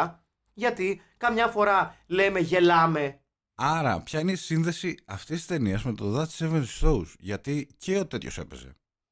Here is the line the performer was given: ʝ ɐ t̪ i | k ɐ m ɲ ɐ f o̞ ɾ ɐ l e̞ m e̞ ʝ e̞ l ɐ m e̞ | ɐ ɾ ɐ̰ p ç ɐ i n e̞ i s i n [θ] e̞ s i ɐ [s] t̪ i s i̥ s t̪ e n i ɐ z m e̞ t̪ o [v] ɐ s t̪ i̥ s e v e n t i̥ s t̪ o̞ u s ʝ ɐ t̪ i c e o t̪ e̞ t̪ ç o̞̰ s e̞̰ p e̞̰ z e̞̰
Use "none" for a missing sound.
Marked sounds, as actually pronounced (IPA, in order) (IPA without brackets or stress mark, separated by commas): ð, f, ð